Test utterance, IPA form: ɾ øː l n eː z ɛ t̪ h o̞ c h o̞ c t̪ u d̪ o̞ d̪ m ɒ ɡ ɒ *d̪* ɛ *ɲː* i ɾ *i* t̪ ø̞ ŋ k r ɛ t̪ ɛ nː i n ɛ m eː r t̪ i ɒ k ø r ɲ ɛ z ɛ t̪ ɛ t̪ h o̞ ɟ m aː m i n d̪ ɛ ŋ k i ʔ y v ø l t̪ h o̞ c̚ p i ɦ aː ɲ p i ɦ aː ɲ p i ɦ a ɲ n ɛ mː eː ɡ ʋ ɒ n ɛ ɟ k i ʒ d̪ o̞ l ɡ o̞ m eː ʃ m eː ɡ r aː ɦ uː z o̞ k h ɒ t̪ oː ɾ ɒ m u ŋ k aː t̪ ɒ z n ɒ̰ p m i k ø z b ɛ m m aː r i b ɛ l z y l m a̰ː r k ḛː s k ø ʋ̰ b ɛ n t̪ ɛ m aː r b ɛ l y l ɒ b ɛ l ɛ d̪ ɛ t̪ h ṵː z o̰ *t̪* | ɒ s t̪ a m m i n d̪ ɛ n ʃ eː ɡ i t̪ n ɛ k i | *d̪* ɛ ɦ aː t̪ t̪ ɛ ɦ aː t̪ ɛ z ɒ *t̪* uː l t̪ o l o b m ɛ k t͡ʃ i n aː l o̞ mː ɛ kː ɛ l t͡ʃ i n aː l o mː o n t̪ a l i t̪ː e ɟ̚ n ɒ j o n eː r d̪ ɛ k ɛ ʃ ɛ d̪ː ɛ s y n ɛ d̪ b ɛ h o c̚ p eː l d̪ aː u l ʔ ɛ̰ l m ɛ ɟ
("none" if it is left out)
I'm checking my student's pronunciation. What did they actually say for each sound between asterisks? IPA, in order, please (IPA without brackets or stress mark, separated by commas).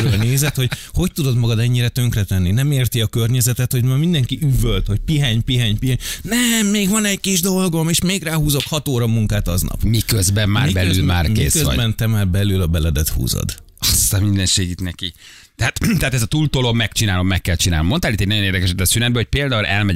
d̪, ɲː, ɛ, d̪, t̪, t̪